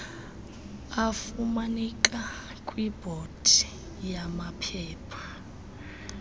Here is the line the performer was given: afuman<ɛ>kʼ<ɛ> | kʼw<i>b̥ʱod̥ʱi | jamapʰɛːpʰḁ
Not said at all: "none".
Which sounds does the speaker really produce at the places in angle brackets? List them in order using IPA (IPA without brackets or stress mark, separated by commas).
i, a, i